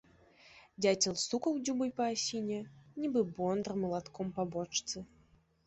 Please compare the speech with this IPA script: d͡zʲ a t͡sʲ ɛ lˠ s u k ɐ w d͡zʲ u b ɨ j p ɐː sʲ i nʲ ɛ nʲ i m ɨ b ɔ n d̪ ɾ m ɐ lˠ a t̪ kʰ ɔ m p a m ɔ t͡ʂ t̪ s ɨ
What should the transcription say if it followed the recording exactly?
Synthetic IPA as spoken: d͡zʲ a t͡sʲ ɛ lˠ s u k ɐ w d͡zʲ u b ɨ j p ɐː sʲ i nʲ ɛ nʲ i b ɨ b ɔ n d̪ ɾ m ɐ lˠ a t̪ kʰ ɔ m p a b ɔ t͡ʂ t̪ s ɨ